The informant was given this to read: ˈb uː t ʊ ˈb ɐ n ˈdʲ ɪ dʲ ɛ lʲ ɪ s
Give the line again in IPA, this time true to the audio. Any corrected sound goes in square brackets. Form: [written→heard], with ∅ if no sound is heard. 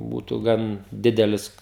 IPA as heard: ˈb uː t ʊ [ˈb→ˈɡ] ɐ n ˈdʲ ɪ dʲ ɛ lʲ ɪ s

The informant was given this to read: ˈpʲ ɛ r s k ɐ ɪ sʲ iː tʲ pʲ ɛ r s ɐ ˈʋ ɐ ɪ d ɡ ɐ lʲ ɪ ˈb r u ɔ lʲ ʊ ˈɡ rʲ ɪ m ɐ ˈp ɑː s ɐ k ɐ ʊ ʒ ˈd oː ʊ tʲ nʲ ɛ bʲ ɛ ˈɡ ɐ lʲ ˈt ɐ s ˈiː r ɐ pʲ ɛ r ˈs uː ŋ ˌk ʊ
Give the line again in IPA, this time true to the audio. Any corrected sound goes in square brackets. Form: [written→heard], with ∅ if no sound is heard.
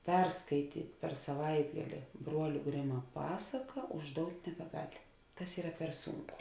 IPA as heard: ˈpʲ ɛ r s k ɐ ɪ [sʲ→tʲ] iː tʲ pʲ ɛ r s ɐ ˈʋ ɐ ɪ d ɡ ɐ lʲ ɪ ˈb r u ɔ lʲ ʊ ˈɡ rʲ ɪ m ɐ ˈp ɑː s ɐ k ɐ ʊ ʒ ˈd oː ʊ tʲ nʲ ɛ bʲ ɛ ˈɡ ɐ lʲ ˈt ɐ s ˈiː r ɐ pʲ ɛ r ˈs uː ŋ ˌk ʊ

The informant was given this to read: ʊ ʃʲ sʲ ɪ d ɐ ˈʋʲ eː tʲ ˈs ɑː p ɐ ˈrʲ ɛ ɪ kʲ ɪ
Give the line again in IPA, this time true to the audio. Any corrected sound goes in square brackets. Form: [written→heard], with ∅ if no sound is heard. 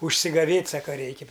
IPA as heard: ʊ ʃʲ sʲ ɪ [d→ɡ] ɐ ˈʋʲ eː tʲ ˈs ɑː [p→k] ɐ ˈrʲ ɛ ɪ kʲ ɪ

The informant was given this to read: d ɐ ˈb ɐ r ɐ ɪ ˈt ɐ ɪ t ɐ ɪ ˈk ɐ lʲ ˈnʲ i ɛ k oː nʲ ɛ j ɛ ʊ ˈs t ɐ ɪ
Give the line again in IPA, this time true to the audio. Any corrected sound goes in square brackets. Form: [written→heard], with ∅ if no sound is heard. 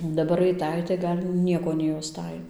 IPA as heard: d ɐ ˈb ɐ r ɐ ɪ ˈt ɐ ɪ t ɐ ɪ [ˈk→ˈɡ] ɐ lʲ ˈnʲ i ɛ k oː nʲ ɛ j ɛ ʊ ˈs t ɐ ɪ

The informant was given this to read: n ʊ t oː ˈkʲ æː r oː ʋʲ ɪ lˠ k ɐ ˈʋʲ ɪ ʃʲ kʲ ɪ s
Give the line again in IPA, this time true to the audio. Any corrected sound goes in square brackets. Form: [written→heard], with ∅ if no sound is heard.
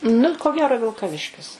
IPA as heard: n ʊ [t→k] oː [ˈkʲ→ˈɡʲ] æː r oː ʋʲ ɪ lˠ k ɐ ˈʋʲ ɪ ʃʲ kʲ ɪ s

